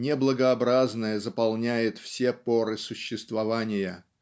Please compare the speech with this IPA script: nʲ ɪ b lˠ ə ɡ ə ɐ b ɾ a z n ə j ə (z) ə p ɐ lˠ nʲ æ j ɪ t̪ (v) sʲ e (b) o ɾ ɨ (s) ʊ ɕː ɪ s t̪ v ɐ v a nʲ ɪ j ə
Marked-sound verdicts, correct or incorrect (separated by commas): correct, incorrect, incorrect, correct